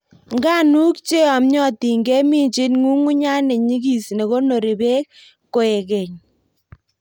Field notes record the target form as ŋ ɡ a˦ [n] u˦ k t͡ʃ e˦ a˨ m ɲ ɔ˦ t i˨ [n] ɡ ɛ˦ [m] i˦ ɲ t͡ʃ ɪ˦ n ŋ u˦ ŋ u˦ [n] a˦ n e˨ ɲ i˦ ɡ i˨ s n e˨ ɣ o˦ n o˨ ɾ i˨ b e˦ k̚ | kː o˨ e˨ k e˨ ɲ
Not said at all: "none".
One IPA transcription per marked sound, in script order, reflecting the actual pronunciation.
n, ŋ, m, ɲ

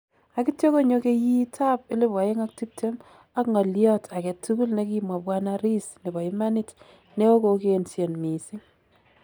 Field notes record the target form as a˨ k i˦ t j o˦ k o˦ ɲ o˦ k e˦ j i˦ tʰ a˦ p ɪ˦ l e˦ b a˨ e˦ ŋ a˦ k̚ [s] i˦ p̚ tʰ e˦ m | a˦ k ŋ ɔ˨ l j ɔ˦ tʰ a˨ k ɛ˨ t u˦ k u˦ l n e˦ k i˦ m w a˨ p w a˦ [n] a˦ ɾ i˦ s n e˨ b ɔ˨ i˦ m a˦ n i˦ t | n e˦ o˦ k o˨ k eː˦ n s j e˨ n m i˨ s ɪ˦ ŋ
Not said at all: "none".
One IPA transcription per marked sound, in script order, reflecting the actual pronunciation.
t, n

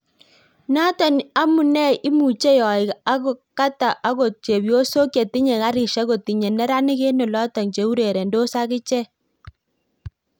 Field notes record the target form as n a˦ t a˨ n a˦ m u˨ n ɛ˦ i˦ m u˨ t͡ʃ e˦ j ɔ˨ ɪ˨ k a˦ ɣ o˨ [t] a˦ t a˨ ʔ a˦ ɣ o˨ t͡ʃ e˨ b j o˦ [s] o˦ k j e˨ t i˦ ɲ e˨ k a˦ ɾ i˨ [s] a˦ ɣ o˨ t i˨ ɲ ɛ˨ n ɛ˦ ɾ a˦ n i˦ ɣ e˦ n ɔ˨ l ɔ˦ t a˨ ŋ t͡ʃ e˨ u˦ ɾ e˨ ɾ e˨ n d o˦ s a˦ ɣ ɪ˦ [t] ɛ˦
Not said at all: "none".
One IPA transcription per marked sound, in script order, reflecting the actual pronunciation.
k, s, ʃ, t͡ʃ

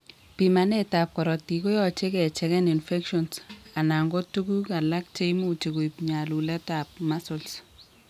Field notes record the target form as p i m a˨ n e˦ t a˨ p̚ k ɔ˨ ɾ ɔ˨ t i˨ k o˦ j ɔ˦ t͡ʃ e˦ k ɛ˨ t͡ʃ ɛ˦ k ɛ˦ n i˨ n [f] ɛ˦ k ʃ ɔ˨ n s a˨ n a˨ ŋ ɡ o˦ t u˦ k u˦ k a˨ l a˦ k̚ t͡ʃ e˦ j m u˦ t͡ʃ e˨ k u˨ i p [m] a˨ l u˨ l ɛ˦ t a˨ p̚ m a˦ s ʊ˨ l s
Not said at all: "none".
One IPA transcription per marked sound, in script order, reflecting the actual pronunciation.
f, ɲ

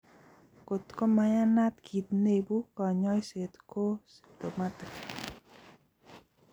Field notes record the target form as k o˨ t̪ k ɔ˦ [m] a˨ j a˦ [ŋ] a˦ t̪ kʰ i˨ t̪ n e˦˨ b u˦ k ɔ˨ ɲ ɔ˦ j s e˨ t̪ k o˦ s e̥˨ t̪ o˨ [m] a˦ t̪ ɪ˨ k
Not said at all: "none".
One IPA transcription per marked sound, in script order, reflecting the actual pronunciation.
m, n, m

